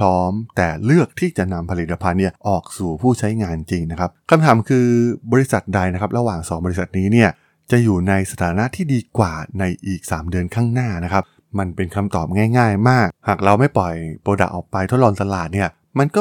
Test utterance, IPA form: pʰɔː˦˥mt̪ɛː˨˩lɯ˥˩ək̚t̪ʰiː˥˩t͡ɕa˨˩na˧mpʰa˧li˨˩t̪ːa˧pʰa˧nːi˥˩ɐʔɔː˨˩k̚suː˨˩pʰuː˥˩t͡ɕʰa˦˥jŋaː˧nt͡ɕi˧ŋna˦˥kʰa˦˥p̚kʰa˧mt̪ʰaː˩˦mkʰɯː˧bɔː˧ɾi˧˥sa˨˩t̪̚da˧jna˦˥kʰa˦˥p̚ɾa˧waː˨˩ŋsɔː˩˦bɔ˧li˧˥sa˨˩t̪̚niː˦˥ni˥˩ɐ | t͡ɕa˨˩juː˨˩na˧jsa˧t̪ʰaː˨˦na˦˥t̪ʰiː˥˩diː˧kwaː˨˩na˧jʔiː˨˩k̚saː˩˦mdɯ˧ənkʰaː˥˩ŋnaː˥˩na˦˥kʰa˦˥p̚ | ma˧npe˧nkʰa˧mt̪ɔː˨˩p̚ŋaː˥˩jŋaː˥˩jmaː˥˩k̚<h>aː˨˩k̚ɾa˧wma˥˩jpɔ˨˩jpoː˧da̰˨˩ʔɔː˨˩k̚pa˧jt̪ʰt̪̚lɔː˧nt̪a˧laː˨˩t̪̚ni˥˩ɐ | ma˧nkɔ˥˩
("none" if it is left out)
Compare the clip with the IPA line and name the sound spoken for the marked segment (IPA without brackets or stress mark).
h